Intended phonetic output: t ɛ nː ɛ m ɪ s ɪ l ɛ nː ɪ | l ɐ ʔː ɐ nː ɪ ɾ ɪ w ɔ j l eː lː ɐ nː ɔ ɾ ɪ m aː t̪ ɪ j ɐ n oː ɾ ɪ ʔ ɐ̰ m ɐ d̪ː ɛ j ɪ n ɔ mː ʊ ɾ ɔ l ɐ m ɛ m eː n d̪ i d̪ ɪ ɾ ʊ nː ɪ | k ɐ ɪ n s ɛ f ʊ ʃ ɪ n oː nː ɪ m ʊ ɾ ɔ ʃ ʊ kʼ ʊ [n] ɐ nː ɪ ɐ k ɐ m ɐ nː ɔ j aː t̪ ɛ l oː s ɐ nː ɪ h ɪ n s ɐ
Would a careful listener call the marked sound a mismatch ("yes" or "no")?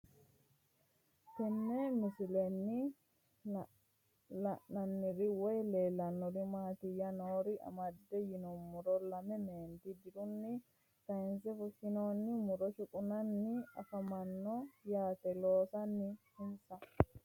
no